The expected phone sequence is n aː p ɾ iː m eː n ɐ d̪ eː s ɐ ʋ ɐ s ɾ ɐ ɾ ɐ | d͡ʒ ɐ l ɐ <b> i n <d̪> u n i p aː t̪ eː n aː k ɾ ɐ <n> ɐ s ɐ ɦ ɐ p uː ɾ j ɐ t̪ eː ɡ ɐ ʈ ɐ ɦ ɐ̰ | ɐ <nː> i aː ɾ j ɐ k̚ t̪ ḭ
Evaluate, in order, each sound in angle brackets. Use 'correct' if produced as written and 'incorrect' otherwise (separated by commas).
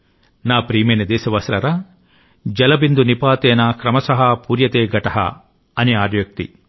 correct, correct, incorrect, incorrect